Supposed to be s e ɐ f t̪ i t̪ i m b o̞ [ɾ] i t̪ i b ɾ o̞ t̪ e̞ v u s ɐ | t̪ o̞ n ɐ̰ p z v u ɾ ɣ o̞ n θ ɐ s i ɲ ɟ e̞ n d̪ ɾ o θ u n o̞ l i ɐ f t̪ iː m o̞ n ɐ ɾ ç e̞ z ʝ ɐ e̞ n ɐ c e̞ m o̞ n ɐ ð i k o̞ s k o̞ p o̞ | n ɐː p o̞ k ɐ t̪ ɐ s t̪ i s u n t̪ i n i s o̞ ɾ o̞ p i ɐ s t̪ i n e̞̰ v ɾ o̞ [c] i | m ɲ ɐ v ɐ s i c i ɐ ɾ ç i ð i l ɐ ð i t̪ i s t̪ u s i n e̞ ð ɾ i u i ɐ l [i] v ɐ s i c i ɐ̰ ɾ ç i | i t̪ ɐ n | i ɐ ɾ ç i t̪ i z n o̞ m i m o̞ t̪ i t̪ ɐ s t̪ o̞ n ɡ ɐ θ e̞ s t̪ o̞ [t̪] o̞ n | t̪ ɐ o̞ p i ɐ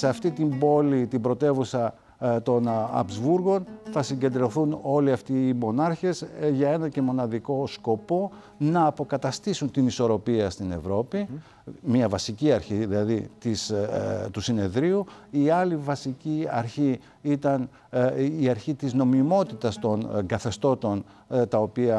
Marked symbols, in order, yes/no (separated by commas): no, no, yes, yes